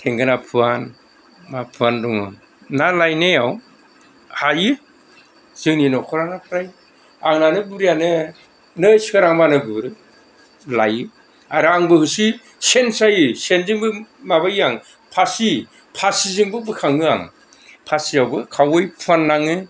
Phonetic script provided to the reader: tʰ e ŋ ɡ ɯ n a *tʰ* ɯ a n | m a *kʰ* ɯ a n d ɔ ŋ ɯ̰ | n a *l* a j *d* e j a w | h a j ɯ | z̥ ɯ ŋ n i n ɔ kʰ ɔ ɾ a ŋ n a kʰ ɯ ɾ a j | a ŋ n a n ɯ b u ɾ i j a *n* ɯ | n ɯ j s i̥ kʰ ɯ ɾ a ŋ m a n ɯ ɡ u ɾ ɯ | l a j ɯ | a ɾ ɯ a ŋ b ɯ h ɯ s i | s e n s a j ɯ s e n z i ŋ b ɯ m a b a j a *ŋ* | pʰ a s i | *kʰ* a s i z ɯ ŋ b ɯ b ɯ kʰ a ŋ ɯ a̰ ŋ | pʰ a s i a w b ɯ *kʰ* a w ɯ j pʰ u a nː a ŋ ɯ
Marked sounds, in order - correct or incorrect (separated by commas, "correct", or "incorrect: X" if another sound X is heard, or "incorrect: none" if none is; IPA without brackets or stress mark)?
incorrect: pʰ, incorrect: pʰ, correct, incorrect: n, correct, correct, incorrect: pʰ, correct